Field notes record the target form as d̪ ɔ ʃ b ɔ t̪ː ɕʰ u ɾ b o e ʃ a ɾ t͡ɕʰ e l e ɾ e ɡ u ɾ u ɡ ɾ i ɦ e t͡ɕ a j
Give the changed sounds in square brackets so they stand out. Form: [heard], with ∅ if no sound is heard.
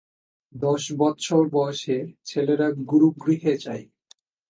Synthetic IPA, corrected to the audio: d̪ ɔ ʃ b ɔ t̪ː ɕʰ [o] ɾ b [ɔ] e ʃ [e] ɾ t͡ɕʰ e l e ɾ [a] ɡ u ɾ u ɡ ɾ i ɦ e t͡ɕ a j